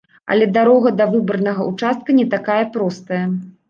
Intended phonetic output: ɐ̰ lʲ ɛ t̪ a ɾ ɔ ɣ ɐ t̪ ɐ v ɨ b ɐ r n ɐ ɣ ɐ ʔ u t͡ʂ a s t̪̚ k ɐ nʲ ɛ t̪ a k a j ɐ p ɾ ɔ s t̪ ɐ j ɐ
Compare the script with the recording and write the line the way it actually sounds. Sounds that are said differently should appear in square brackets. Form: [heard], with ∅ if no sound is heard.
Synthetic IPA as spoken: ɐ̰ lʲ ɛ [d̪] a ɾ ɔ ɣ ɐ [d̪] ɐ v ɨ b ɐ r n ɐ ɣ ɐ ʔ u t͡ʂ a s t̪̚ k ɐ nʲ ɛ t̪ a k a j ɐ p ɾ ɔ s t̪ ɐ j ɐ